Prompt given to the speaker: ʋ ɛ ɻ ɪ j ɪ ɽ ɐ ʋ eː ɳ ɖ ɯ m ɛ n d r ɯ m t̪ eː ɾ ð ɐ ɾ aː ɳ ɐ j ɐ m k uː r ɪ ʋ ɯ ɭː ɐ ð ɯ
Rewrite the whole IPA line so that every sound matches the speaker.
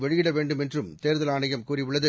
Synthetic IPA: ʋ ɛ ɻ ɪ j ɪ ɽ ɐ ʋ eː ɳ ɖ ɯ m ɛ n d r ɯ m t̪ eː ɾ ð ɐ l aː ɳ ɐ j ɐ m k uː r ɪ ʋ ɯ ɭː ɐ ð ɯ

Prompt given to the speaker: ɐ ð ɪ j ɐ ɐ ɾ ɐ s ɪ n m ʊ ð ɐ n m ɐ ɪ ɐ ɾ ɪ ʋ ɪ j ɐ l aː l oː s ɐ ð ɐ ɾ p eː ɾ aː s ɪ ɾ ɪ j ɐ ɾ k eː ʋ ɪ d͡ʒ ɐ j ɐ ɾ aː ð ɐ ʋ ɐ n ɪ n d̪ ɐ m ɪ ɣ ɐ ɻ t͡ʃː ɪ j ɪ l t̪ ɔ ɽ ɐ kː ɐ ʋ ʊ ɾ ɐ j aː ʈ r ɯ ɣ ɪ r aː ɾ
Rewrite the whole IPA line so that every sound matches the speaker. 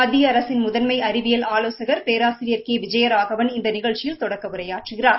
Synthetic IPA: ɐ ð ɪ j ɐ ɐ ɾ ɐ s ɪ n m ʊ ð ɐ n m ɐ ɪ ɐ ɾ ɪ ʋ ɪ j ɐ l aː l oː s ɐ ɣ ɐ ɾ p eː ɾ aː s ɪ ɾ ɪ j ɐ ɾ k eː ʋ ɪ d͡ʒ ɐ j ɐ ɾ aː ɣ ɐ ʋ ɐ n ɪ n d̪ ɐ n ɪ ɣ ɐ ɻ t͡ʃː ɪ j ɪ l t̪ ɔ ɽ ɐ kː ɐ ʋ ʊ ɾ ɐ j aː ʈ r ɯ ɣ ɪ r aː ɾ

